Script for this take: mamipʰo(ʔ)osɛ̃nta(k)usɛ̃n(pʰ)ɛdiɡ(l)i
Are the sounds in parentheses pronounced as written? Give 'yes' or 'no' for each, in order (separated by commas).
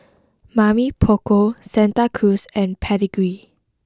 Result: no, no, yes, no